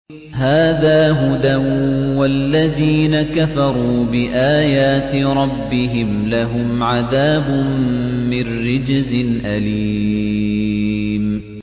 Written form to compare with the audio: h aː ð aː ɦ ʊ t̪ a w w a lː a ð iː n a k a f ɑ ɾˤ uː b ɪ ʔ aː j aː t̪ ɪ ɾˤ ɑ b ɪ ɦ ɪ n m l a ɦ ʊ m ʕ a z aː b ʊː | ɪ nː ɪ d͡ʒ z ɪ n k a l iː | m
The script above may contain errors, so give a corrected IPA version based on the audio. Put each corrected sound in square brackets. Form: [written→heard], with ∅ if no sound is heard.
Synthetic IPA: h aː ð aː ɦ ʊ [t̪→d̪] a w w a lː a ð iː n a k a f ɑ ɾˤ uː b ɪ ʔ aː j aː t̪ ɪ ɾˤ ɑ [b→bː] ɪ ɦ ɪ [n→∅] m l a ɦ ʊ m ʕ a [z→ð] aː b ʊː | ɪ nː ɪ d͡ʒ z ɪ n [k→ʔ] a l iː | m